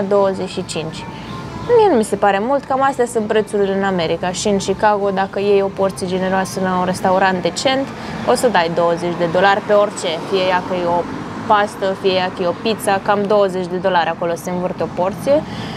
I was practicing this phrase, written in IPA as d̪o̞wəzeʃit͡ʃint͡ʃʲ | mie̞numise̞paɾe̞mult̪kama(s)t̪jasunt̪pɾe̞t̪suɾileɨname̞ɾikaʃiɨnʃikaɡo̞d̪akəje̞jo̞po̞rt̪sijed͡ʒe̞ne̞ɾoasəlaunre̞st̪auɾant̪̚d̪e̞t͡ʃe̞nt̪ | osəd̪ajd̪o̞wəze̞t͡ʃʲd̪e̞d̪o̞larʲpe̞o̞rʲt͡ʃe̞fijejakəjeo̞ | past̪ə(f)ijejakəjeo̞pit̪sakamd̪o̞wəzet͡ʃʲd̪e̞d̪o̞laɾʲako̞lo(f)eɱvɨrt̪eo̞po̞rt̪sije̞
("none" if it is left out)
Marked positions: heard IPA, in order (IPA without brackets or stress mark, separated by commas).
s, f, s